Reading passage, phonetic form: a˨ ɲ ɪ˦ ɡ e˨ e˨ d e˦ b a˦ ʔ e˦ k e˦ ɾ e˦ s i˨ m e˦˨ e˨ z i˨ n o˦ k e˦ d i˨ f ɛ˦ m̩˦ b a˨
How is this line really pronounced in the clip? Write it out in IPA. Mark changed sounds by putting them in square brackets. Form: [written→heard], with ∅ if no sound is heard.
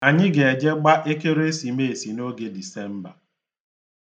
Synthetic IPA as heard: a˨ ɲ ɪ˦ ɡ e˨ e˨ [d→d͡ʒ] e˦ [b→ɡ͡b] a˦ ʔ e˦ k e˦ ɾ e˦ s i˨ m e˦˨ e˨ [z→s] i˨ n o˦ [k→ɡ] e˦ d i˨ [f→s] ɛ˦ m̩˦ b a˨